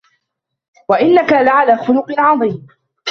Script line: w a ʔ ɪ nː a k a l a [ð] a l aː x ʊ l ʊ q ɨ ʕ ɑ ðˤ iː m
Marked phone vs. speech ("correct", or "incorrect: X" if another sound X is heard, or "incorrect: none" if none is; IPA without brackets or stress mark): incorrect: ʕ